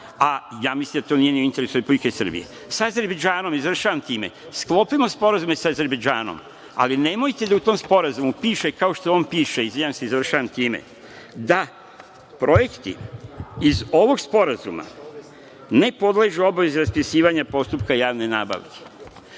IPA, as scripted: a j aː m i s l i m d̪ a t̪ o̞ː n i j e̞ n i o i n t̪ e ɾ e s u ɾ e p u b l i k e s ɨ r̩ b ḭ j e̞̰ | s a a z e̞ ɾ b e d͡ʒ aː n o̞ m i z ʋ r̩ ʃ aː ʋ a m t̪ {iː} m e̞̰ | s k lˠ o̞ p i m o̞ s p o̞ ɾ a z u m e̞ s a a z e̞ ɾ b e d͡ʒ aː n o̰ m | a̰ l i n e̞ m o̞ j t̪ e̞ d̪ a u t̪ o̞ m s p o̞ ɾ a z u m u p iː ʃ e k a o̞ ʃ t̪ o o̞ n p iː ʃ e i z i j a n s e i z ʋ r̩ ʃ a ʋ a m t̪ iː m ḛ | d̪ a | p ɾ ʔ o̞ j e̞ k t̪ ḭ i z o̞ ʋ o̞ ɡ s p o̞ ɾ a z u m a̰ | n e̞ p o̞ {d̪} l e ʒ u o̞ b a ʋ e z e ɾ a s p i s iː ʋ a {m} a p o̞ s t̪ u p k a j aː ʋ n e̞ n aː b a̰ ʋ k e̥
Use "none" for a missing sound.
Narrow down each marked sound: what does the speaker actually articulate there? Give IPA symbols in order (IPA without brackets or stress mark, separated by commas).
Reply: iː, d̪, ɲ